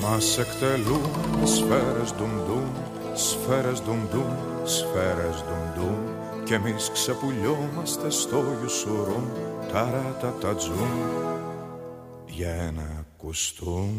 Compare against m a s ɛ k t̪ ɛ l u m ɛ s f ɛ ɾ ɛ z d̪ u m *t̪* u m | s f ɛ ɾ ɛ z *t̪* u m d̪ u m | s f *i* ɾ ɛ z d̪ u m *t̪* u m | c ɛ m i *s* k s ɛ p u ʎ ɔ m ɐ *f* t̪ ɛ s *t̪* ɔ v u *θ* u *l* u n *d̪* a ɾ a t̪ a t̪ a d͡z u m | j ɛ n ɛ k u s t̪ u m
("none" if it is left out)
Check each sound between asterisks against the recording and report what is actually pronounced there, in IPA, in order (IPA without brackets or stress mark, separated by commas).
d̪, d̪, ɛ, d̪, s, s, t̪, s, ɾ, t̪